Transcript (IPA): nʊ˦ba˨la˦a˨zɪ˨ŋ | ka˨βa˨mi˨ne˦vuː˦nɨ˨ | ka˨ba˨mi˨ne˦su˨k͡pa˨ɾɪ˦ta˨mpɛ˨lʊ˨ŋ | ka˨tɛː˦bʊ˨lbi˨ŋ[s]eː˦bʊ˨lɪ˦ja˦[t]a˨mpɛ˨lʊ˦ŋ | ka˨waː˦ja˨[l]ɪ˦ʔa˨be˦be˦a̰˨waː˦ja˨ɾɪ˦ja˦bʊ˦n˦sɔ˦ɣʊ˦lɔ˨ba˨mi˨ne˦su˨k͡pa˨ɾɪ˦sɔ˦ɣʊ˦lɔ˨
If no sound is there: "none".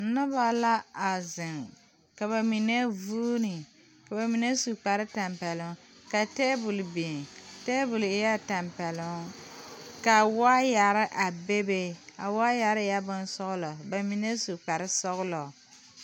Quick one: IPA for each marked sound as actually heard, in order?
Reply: t, t, ɾ

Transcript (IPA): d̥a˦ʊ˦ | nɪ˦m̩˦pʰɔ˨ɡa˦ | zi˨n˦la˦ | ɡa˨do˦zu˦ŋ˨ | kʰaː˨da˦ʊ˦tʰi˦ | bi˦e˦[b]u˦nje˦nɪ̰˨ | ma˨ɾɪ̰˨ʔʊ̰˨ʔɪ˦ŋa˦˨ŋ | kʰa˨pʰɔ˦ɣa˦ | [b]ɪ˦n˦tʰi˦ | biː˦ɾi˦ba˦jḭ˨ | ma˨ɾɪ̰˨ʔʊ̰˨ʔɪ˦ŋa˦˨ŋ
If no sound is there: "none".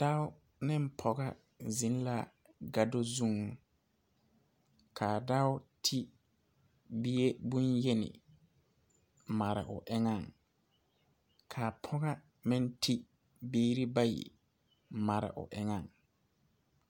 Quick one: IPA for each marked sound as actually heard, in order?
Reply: b, m

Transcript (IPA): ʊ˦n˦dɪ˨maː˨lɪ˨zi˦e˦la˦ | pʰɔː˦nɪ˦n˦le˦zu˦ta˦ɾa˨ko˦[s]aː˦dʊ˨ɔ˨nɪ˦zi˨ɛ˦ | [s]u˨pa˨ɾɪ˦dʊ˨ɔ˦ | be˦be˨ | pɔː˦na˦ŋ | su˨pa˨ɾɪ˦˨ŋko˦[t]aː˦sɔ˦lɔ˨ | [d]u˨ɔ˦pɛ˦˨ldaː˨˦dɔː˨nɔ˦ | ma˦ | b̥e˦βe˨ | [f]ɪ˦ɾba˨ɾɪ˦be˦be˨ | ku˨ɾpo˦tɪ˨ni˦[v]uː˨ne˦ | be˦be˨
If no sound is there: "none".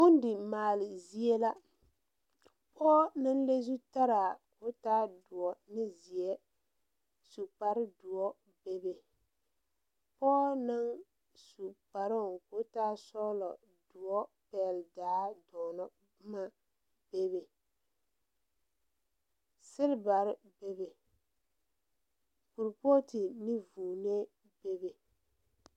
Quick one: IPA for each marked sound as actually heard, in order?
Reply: t, s, t, d, s, v

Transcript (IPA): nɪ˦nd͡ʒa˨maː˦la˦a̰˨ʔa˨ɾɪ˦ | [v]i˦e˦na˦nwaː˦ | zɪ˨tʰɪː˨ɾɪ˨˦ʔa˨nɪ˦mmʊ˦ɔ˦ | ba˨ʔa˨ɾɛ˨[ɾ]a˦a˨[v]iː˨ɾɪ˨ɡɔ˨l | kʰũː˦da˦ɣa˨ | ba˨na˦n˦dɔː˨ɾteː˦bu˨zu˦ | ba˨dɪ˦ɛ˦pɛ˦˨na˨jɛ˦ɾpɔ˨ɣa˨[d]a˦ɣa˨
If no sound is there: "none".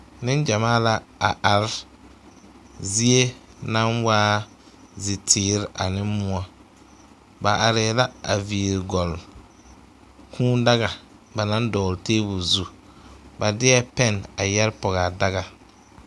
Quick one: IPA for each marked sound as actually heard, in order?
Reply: z, l, v, d

